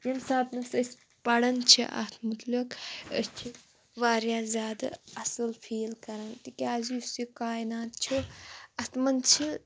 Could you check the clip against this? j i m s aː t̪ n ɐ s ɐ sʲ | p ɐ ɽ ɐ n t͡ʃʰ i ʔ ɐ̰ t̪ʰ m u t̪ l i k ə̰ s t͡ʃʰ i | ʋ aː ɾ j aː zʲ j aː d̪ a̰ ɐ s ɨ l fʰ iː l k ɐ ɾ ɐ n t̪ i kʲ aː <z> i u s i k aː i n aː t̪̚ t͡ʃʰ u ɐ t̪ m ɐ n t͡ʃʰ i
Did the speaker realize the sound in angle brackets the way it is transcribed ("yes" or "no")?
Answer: yes